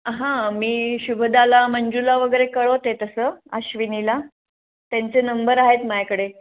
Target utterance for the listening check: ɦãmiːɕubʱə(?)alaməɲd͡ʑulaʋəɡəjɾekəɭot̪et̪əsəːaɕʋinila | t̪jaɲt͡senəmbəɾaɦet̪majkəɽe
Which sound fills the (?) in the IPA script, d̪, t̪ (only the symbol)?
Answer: d̪